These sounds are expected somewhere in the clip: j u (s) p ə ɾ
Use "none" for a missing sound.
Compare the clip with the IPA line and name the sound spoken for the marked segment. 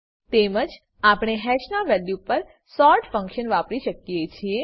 none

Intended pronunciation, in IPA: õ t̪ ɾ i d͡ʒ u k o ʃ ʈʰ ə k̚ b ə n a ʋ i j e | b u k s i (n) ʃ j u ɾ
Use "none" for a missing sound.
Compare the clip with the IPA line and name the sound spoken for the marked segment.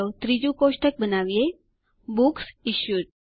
none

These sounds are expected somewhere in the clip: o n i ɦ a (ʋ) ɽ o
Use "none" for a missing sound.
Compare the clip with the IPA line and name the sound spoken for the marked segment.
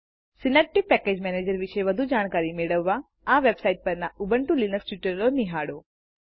none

